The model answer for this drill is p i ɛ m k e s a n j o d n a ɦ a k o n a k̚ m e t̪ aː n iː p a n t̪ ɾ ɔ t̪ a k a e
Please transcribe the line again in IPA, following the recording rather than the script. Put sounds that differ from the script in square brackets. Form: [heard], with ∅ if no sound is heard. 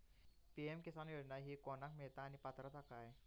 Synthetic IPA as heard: p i ɛ m k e s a n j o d n a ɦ [i] k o n a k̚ m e t̪ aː n [i] p a [∅] t̪ ɾ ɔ t̪ a k a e

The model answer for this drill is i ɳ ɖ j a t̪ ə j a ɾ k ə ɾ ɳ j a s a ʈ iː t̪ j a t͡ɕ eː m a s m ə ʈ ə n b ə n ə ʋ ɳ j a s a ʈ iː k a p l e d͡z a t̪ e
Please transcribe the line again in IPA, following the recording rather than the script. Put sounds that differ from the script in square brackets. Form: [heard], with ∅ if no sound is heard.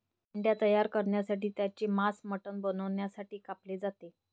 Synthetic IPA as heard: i ɳ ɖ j a t̪ ə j a ɾ k ə ɾ ɳ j a s a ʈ iː t̪ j a t͡ɕ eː m a s m ə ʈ ə n b ə n ə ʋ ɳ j a s a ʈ iː k a p l e d͡z a t̪ e

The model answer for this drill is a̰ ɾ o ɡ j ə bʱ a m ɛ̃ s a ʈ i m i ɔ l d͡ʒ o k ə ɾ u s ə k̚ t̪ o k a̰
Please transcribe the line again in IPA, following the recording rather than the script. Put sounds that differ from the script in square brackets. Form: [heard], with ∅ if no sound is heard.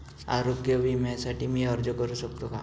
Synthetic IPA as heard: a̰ ɾ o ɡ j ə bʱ [i] m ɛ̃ s a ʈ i m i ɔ [ɾ] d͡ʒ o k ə ɾ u s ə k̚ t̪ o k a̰

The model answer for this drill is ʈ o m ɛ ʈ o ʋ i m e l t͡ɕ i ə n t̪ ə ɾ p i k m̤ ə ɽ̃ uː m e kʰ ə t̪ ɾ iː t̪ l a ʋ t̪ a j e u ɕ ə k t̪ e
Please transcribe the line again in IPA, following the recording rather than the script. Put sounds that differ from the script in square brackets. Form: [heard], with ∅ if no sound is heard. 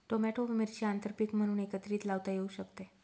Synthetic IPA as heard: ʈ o m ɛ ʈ o ʋ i m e [ɾ] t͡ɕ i [a] n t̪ ə ɾ p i k m̤ ə ɽ̃ uː [n] e [k] ə t̪ ɾ iː t̪ l a ʋ t̪ a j e u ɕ ə k t̪ e

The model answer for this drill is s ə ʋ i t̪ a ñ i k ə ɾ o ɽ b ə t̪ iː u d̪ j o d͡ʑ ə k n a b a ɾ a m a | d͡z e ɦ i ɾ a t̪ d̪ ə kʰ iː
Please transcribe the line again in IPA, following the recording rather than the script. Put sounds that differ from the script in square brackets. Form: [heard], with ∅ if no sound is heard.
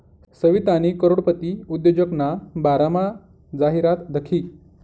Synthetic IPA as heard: s ə ʋ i t̪ a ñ i k ə ɾ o ɽ [p] ə t̪ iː u d̪ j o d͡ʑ ə k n a b a ɾ a m a | d͡z [a] ɦ i ɾ a t̪ d̪ ə kʰ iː

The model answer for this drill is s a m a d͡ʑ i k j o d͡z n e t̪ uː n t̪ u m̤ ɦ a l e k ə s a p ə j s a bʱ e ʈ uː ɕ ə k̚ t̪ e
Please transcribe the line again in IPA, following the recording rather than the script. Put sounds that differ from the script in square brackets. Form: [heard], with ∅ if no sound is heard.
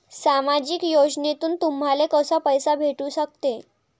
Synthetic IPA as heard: s a m a d͡ʑ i k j o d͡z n e t̪ uː n t̪ u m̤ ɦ a l e k ə s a p ə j s a bʱ e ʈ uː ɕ ə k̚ t̪ e

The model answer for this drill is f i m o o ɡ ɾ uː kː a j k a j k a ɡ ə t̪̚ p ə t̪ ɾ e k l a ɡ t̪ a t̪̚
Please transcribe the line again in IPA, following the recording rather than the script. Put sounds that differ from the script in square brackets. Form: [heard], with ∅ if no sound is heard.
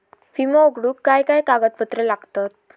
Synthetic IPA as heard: f i m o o ɡ [ɽ] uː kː a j k a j k a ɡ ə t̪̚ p ə t̪ ɾ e [∅] l a ɡ t̪ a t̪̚

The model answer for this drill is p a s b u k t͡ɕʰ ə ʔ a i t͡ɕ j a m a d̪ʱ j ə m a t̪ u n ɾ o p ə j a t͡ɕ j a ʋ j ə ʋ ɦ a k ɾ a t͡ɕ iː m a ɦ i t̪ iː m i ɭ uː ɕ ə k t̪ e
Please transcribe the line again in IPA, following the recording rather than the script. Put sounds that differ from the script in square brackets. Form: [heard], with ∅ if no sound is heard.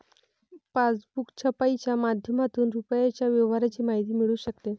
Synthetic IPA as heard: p a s b u k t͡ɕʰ ə [p] a i t͡ɕ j a m a d̪ʱ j ə m a t̪ [uː] n ɾ [u] p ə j a t͡ɕ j a ʋ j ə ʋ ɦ a [∅] ɾ a t͡ɕ iː m a ɦ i t̪ iː m i ɭ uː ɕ ə k t̪ e

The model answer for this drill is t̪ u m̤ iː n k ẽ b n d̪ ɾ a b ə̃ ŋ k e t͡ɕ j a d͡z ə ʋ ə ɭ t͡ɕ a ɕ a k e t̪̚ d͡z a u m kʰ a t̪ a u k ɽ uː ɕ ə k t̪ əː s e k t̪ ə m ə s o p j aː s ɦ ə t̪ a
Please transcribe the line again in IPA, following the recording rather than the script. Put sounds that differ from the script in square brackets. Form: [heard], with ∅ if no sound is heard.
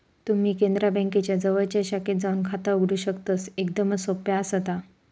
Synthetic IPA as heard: t̪ u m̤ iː [∅] k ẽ [∅] n d̪ ɾ a b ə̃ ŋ k e t͡ɕ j a d͡z ə ʋ ə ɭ t͡ɕ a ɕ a k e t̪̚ d͡z a u [n] kʰ a t̪ a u [ɡ] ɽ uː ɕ ə k t̪ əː s e k [d̪] ə m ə s o p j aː s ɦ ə t̪ a

